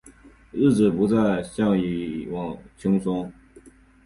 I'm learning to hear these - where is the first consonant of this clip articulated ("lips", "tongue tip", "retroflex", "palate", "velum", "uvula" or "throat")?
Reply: retroflex